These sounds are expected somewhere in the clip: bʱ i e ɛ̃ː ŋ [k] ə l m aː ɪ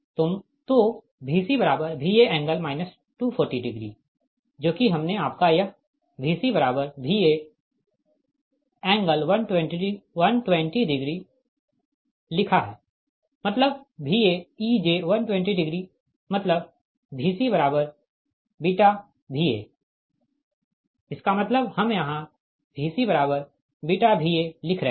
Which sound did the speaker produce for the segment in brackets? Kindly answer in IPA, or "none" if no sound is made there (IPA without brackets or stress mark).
ɡ